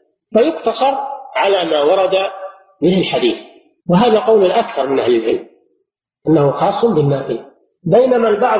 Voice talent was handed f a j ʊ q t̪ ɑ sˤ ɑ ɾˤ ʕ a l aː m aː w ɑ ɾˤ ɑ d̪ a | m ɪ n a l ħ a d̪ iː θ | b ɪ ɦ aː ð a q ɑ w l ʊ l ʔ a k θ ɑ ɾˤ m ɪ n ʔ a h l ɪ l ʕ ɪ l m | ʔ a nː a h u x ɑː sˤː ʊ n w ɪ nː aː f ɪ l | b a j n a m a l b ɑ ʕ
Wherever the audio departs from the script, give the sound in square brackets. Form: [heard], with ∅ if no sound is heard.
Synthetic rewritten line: f a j ʊ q t̪ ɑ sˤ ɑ ɾˤ ʕ a l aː m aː w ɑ ɾˤ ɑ d̪ a | m ɪ n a l ħ a d̪ iː θ | [w] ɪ ɦ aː ð a q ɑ w l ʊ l ʔ a k θ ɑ ɾˤ m ɪ n ʔ a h l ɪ l ʕ ɪ l m | ʔ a nː a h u x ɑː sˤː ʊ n [b] ɪ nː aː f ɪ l | b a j n a m a l b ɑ ʕ